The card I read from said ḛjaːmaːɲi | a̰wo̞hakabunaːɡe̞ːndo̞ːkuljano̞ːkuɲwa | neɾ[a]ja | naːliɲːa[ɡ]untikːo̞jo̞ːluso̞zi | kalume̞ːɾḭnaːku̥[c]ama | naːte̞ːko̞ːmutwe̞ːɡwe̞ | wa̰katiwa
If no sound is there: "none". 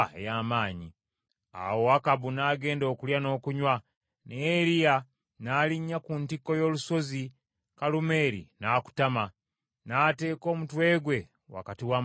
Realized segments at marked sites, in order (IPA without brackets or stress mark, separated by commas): i, k, t